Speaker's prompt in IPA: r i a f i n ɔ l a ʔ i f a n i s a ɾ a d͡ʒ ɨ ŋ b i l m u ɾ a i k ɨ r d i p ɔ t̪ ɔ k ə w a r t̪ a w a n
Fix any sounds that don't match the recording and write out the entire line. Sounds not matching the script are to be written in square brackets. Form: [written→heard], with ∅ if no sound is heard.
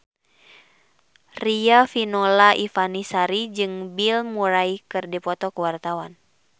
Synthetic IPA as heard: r i a f i n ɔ l a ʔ i f a n i s a ɾ [a→i] d͡ʒ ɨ ŋ b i l m u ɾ a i k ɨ r d i p ɔ t̪ ɔ k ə w a r t̪ a w a n